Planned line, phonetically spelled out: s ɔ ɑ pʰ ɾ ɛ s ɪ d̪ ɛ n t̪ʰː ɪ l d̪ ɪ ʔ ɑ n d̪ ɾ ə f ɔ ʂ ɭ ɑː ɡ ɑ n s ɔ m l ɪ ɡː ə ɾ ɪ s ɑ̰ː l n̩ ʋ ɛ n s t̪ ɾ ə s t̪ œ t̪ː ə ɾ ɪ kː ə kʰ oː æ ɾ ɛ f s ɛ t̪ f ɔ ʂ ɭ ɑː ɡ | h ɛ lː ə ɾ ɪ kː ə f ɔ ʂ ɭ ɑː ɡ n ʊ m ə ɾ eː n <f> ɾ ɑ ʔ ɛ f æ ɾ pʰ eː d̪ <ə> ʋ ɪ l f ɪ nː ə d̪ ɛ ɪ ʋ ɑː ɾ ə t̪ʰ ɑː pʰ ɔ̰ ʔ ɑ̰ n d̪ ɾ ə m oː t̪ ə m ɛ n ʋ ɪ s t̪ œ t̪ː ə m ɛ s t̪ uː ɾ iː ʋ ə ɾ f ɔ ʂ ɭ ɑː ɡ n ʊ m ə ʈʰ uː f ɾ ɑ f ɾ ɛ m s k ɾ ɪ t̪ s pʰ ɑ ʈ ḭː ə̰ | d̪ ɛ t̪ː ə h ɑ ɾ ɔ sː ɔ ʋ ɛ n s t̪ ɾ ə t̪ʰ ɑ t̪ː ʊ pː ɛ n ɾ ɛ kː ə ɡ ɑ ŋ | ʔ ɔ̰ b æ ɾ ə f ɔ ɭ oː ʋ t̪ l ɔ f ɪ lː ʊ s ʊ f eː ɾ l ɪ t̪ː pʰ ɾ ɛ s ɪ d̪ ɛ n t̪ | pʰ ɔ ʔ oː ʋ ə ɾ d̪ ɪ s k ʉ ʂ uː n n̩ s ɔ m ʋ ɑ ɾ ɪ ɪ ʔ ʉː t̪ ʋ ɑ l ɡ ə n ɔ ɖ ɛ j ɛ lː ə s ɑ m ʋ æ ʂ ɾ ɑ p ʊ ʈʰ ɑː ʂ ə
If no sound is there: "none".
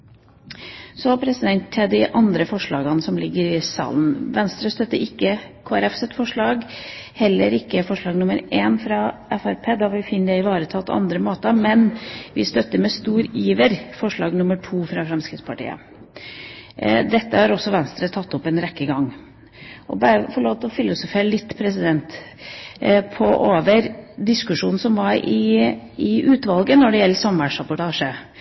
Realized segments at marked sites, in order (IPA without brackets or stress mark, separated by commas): f, ɑ